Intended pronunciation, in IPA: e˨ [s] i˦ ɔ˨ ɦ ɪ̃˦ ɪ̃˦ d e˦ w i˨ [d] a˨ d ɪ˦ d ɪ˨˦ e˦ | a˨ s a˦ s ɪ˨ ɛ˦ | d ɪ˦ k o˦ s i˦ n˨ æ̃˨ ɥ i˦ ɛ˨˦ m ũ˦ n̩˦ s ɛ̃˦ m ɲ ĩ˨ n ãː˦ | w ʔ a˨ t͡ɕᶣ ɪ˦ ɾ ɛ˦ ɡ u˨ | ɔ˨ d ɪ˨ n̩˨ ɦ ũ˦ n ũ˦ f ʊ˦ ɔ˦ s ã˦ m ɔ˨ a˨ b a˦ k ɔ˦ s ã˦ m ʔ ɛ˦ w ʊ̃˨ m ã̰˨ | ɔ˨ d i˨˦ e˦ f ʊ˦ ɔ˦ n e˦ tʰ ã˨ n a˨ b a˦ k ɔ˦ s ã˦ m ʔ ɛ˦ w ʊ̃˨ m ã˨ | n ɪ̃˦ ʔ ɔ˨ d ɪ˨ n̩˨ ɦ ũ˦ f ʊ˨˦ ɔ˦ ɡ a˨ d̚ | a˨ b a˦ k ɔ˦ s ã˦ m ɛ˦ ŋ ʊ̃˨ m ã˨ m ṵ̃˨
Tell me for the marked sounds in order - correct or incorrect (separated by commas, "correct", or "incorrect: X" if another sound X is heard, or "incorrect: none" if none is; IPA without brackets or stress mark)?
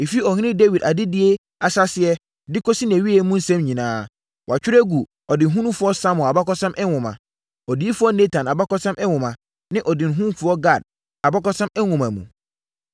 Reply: incorrect: f, correct